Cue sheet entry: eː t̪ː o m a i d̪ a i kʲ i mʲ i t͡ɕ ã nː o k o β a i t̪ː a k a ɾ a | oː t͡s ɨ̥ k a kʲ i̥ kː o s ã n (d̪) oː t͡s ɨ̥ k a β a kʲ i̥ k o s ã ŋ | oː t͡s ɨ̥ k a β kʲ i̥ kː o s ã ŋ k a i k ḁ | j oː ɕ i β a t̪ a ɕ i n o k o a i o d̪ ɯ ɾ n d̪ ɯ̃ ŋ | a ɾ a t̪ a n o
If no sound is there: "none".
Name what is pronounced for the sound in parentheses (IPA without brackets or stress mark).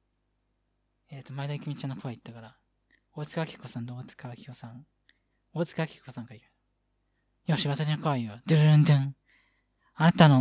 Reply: d̪